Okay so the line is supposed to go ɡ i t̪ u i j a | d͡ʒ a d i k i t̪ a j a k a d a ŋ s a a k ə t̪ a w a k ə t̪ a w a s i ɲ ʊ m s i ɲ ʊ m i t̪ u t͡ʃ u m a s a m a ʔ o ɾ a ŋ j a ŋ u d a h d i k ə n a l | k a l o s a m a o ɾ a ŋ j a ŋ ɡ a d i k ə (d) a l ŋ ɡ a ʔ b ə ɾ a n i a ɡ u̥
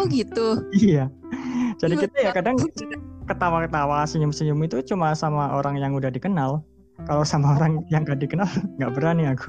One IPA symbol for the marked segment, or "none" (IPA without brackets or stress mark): n